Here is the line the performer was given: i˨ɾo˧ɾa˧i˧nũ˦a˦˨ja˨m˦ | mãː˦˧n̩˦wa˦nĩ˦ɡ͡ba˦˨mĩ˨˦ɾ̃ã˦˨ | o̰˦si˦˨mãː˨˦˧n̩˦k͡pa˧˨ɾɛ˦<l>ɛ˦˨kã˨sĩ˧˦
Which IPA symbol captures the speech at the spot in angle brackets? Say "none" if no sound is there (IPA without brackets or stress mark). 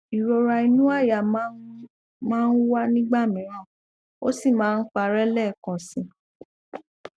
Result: l